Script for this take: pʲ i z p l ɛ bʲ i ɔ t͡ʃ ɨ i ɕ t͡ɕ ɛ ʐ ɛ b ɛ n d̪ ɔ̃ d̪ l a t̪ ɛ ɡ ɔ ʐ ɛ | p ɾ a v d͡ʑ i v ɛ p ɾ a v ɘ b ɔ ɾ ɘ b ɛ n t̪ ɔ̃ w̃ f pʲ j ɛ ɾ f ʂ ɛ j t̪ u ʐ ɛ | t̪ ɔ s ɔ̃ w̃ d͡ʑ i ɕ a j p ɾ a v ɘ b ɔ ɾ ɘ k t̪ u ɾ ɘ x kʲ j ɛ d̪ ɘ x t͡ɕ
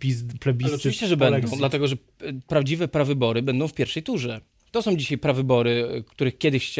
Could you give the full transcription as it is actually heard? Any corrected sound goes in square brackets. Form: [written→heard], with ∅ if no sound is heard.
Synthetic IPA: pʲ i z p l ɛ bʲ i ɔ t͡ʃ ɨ i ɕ t͡ɕ ɛ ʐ ɛ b ɛ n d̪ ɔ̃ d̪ l a t̪ ɛ ɡ ɔ ʐ ɛ | p ɾ a v d͡ʑ i v ɛ p ɾ a v ɘ b ɔ ɾ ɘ b ɛ n [t̪→d̪] ɔ̃ w̃ f pʲ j ɛ ɾ f ʂ ɛ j t̪ u ʐ ɛ | t̪ ɔ s ɔ̃ w̃ d͡ʑ i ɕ a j p ɾ a v ɘ b ɔ ɾ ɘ k t̪ u ɾ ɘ x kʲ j ɛ d̪ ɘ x t͡ɕ